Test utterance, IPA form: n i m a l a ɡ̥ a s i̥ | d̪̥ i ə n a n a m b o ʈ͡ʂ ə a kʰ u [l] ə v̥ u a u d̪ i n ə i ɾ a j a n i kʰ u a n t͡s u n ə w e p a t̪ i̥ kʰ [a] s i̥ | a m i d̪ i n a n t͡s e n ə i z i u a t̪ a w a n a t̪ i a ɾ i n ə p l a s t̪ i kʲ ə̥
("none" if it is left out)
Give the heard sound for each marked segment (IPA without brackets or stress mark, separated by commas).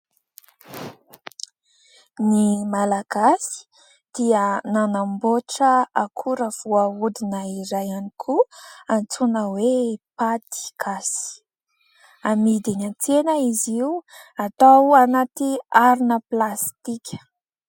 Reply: ɾ, a